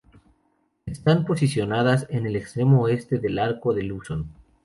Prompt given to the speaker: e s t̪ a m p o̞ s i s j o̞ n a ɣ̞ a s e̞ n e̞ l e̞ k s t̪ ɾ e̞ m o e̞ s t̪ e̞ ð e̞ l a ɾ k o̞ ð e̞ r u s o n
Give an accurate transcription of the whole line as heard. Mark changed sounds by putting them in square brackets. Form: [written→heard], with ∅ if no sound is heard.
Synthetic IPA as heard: e s t̪ a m p o̞ s i s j o̞ n a [ɣ̞→ð̞] a s e̞ n e̞ l e̞ k s t̪ ɾ e̞ m o e̞ s t̪ e̞ ð e̞ l a ɾ k o̞ ð e̞ [r→l] u s o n

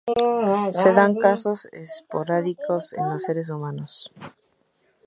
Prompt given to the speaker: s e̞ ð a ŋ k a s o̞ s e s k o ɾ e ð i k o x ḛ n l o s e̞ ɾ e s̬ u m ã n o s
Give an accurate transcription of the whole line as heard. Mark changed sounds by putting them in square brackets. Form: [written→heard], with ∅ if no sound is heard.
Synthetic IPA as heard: s e̞ ð a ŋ k a s o̞ s e s [k→p] o ɾ [e→a] ð i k o [x→s] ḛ n l o s e̞ ɾ e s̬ u m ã n o s

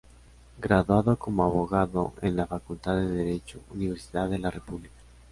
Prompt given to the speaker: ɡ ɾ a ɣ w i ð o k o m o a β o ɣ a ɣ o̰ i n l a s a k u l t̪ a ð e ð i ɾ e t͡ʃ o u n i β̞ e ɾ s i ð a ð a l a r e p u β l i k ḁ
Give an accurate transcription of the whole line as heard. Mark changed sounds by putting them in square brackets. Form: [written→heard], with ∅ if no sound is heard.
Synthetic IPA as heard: ɡ ɾ a [ɣ→ð] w [i→a] ð o k o m o a β o ɣ a [ɣ→ð] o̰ [i→e] n l a [s→f] a k u l t̪ a ð e ð [i→e] ɾ e t͡ʃ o u n i β̞ e ɾ s i ð a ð [a→e] l a r e p u β l i k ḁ

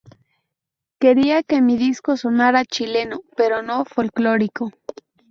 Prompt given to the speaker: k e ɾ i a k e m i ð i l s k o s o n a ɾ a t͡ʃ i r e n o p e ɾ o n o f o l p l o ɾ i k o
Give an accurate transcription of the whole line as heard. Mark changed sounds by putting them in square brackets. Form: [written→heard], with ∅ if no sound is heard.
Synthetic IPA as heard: k e ɾ i a k e m i ð i [l→∅] s k o s o n a ɾ a t͡ʃ i [r→l] e n o p e ɾ o n o f o l [p→k] l o ɾ i k o

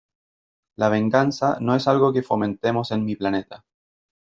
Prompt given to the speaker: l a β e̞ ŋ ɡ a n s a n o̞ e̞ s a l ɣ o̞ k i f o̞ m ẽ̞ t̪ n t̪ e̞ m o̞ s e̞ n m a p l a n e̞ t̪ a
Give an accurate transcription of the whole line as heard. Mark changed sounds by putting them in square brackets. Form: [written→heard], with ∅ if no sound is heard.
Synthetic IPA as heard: l a β e̞ ŋ ɡ a n s a n o̞ e̞ s a l ɣ o̞ k [i→e] f o̞ m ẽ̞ [t̪→∅] n t̪ e̞ m o̞ s e̞ n m [a→i] p l a n e̞ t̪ a

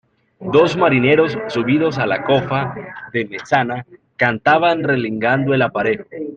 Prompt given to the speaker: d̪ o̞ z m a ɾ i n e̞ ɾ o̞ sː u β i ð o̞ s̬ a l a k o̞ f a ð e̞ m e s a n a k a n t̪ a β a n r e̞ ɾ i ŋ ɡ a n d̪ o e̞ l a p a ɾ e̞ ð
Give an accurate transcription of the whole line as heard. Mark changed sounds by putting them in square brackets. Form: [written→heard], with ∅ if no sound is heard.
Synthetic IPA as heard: d̪ o̞ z m a ɾ i n e̞ ɾ o̞ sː u β i ð o̞ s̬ a l a k o̞ f a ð e̞ m e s a n a k a n t̪ a β a n r e̞ [ɾ→l] i ŋ ɡ a n d̪ o e̞ l a p a ɾ e̞ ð

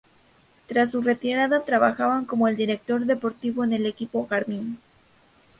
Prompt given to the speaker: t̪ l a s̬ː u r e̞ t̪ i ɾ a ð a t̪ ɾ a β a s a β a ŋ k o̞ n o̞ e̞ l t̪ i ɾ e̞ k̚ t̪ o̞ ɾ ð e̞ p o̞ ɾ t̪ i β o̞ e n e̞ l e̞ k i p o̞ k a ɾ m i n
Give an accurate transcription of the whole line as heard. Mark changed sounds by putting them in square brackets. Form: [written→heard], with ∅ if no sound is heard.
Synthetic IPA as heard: t̪ [l→ɾ] a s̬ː u r e̞ t̪ i ɾ a ð a t̪ ɾ a β a [s→x] a β a ŋ k o̞ [n→m] o̞ e̞ l [t̪→d̪] i ɾ e̞ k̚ t̪ o̞ ɾ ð e̞ p o̞ ɾ t̪ i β o̞ e n e̞ l e̞ k i p o̞ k a ɾ m i n

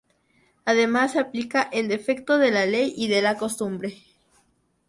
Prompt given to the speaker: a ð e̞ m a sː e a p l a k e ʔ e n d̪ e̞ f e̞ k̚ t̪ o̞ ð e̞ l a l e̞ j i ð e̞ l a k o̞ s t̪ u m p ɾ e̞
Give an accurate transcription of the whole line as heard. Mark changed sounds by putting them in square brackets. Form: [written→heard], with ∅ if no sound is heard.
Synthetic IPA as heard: a ð e̞ m a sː e a p l [a→i] k [e→a] ʔ e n d̪ e̞ f e̞ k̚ t̪ o̞ ð e̞ l a l e̞ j i ð e̞ l a k o̞ s t̪ u m [p→b] ɾ e̞

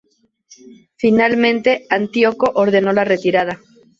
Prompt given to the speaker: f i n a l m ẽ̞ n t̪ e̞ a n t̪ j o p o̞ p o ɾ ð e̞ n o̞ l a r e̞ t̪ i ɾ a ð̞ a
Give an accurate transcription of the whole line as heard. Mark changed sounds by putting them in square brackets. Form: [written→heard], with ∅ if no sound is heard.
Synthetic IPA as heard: f i n a l m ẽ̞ n t̪ e̞ a n t̪ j o [p→k] o̞ [p→ʔ] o ɾ ð e̞ n o̞ l a r e̞ t̪ i ɾ a ð̞ a

